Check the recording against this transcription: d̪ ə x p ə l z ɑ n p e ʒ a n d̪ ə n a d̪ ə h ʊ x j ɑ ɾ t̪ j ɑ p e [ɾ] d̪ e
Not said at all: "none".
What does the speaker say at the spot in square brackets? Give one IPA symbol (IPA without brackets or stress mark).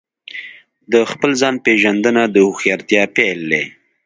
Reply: l